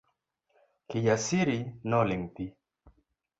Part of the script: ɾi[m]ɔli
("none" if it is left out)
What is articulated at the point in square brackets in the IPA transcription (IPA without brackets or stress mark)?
n